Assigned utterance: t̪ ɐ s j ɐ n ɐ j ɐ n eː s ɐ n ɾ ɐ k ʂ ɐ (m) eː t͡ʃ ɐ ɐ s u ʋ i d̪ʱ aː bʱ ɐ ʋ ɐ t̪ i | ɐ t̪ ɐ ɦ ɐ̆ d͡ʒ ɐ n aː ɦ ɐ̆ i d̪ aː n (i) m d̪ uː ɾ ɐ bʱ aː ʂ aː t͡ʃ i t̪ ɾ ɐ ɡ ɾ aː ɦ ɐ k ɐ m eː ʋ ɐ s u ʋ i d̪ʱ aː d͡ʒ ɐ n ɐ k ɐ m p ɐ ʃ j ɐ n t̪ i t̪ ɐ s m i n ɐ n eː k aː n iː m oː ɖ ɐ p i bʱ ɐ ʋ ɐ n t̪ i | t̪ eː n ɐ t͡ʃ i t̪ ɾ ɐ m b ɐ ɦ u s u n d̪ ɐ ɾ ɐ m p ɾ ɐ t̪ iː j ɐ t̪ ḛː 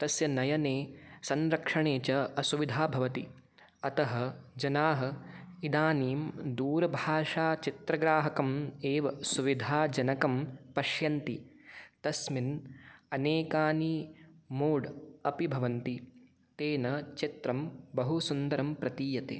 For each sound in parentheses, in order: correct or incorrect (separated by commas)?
incorrect, incorrect